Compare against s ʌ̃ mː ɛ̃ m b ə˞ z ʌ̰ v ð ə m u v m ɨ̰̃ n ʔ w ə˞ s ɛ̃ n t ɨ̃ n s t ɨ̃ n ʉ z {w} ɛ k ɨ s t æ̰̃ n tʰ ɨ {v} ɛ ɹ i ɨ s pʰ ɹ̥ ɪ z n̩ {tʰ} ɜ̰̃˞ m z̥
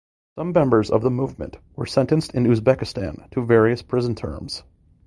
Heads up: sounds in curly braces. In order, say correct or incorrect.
incorrect: b, correct, correct

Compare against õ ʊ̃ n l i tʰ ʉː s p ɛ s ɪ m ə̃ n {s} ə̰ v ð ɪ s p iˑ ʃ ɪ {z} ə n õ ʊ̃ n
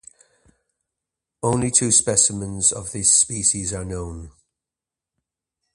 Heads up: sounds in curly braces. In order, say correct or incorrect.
incorrect: z, correct

